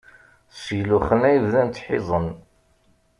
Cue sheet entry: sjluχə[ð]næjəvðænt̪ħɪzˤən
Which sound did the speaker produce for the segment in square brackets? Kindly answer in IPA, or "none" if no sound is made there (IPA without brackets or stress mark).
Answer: none